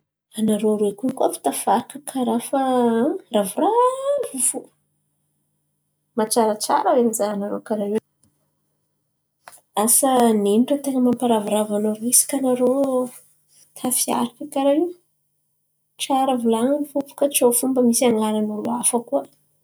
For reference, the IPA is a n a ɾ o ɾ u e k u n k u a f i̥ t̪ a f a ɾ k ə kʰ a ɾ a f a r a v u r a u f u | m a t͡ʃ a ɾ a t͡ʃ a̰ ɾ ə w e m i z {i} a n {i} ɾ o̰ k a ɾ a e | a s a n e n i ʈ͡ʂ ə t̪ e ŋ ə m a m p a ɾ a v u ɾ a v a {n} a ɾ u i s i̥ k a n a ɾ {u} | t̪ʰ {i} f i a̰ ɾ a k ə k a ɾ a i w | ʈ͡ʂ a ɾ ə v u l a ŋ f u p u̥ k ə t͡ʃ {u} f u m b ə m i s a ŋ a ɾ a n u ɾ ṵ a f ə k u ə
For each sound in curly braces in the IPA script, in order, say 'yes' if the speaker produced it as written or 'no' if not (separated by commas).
no, no, yes, no, no, no